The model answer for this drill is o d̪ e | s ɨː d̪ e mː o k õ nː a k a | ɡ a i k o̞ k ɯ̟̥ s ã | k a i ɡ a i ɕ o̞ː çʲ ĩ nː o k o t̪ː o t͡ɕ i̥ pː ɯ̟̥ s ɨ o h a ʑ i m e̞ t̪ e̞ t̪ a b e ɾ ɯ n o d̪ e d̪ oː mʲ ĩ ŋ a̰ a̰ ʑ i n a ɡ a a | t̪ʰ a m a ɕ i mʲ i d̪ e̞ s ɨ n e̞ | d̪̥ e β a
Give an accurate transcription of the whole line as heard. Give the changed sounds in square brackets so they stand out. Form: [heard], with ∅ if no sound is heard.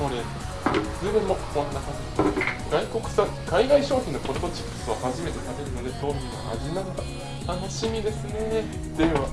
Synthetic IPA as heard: o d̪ e | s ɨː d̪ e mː o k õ nː a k a | ɡ a i k o̞ k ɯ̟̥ s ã | k a i ɡ a i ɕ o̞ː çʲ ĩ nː o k o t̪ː o t͡ɕ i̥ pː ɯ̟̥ s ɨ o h a ʑ i m e̞ t̪ e̞ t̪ a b e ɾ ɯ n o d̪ e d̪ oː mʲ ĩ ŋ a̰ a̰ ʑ i n a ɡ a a | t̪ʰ a [n] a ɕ i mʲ i d̪ e̞ s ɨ n e̞ | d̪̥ e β a